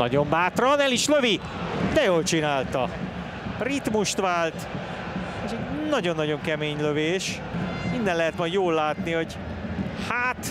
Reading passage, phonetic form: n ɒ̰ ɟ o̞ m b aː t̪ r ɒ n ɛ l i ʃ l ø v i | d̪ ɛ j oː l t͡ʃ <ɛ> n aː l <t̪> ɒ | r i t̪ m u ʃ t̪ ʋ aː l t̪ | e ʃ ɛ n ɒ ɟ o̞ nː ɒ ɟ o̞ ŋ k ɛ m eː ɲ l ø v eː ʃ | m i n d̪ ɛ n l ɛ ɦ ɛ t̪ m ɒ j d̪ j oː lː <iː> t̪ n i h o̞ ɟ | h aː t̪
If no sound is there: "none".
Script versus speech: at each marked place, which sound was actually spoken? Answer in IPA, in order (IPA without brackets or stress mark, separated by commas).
i, t̪, aː